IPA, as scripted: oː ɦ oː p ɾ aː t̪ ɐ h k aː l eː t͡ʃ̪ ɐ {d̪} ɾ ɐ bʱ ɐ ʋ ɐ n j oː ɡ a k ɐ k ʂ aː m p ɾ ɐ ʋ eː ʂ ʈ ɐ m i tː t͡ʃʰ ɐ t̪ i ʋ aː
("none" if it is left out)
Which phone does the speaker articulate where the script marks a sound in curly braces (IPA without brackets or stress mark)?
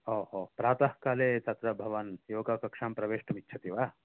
t̪